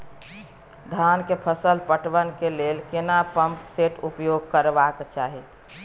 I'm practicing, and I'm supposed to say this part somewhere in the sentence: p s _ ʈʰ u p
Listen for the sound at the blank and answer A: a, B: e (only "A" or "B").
B